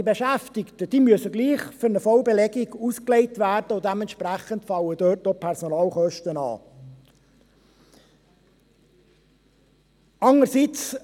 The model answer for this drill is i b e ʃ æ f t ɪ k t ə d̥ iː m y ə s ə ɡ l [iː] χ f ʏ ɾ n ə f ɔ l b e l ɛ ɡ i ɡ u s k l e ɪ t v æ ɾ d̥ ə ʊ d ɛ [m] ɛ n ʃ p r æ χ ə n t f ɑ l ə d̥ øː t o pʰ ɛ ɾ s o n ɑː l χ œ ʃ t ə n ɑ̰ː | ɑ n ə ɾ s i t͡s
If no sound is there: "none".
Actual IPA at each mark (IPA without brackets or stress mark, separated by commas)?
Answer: iː, m